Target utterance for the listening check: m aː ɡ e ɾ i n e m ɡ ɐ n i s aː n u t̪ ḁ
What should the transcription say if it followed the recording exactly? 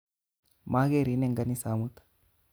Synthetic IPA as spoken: m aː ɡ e ɾ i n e ŋ ɡ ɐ n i s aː m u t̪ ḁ